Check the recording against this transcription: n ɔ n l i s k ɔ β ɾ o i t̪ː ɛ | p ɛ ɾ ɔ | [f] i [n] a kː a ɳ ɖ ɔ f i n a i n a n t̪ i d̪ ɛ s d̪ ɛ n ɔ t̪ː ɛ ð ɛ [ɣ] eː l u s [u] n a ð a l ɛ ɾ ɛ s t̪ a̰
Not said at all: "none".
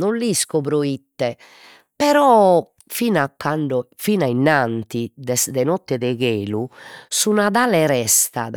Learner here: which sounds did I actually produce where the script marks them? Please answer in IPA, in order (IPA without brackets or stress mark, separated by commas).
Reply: f, n, ɣ, u